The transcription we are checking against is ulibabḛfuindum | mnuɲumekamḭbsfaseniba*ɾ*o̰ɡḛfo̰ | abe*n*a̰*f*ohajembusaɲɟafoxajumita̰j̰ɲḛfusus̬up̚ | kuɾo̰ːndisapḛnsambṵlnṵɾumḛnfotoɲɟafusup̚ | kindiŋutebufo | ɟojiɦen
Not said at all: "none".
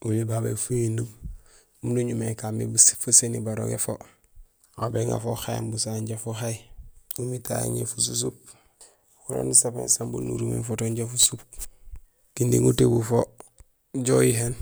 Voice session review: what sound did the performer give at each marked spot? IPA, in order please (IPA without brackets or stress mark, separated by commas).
ɾ, ŋ, f